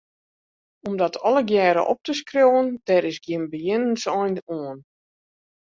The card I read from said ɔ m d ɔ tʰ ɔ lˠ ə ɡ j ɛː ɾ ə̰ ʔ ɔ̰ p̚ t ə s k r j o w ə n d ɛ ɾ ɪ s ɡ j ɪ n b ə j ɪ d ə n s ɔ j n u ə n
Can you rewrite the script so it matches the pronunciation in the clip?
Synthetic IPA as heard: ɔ m d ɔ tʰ ɔ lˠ ə ɡ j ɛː ɾ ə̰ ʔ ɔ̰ p̚ t ə s k r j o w ə n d ɛ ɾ ɪ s ɡ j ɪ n b ə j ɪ n ə n s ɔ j n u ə n